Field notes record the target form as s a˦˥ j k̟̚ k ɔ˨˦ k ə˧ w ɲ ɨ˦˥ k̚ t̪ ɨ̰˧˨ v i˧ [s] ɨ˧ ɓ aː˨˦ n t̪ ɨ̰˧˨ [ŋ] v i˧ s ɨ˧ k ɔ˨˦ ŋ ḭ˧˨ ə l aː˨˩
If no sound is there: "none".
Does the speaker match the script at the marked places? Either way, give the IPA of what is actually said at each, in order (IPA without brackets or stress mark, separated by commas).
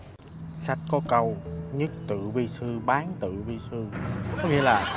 s, none